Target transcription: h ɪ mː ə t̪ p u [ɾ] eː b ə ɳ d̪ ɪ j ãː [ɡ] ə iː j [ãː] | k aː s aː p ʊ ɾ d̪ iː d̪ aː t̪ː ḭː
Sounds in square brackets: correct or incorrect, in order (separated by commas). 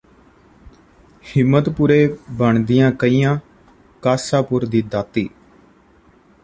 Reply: correct, incorrect, correct